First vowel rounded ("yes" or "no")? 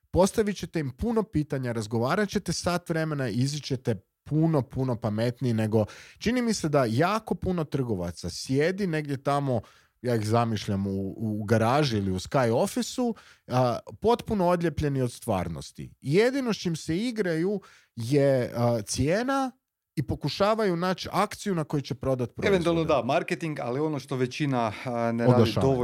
yes